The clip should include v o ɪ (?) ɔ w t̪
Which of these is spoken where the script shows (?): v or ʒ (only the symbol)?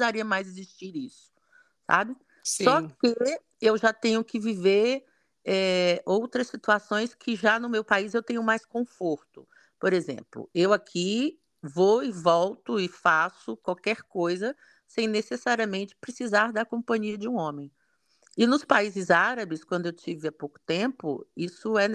v